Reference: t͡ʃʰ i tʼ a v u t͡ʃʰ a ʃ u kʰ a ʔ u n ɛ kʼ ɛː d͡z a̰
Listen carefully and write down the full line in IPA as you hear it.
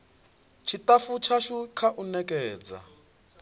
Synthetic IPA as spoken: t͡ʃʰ i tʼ a f u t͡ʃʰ a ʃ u kʰ a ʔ u n ɛ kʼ ɛː d͡z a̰

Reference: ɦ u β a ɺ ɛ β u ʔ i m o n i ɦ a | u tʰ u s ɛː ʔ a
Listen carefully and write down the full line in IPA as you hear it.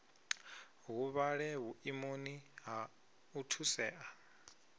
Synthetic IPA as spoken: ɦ u β a ɺ ɛ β u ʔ i m o n i ɦ a | u tʰ u s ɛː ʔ a

